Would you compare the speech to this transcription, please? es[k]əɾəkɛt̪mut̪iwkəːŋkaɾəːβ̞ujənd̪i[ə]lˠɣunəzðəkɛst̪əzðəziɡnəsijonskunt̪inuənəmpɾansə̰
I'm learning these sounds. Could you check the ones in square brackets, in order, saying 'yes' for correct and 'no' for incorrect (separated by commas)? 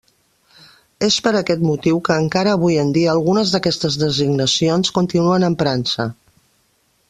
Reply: no, no